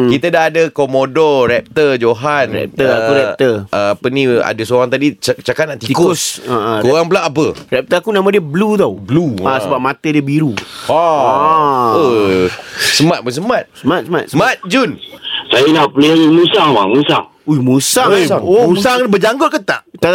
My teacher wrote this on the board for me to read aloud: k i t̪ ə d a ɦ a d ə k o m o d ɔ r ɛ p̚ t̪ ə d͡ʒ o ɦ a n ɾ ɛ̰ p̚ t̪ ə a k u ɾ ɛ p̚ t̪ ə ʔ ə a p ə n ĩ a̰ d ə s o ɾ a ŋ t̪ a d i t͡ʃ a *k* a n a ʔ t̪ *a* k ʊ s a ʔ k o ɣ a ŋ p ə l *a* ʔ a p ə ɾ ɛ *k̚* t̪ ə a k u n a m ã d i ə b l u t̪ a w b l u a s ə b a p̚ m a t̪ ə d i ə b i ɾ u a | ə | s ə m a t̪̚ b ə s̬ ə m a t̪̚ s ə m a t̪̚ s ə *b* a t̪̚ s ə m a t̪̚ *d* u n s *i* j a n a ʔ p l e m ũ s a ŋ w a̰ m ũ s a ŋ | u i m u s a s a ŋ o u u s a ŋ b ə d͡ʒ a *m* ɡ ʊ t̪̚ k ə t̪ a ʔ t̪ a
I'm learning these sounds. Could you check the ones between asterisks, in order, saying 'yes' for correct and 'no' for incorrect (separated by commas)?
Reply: yes, no, yes, no, no, no, no, no